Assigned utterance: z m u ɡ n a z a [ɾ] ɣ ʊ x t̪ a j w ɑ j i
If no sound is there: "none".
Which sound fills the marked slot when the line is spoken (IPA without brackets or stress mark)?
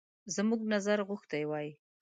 ɾ